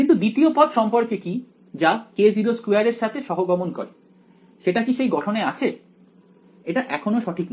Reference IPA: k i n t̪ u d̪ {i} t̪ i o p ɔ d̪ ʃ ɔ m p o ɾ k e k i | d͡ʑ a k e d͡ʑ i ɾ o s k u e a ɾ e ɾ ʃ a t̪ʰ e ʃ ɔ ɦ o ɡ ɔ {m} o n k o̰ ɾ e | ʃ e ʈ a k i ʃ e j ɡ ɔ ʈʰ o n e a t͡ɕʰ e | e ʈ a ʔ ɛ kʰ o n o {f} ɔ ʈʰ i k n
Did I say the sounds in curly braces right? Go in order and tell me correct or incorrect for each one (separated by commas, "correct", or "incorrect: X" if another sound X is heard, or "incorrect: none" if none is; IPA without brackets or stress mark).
correct, correct, incorrect: ʃ